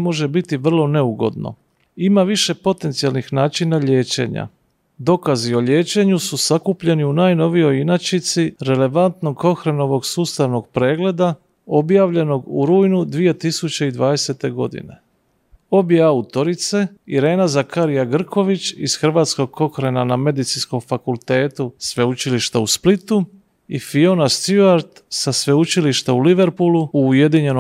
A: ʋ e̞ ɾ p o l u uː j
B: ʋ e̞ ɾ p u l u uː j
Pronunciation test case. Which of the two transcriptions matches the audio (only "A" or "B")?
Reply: B